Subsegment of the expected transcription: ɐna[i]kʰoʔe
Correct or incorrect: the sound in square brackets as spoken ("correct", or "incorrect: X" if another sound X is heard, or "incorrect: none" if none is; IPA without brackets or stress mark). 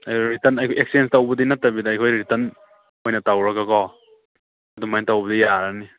incorrect: j